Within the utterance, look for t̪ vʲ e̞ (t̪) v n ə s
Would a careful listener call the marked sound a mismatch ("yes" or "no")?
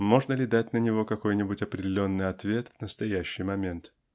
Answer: no